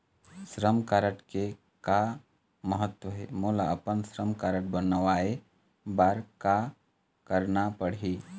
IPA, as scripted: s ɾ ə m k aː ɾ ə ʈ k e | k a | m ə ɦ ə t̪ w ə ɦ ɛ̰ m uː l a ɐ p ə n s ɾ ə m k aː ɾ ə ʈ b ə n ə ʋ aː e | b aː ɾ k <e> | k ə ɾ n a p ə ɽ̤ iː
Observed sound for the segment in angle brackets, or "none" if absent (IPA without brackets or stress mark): a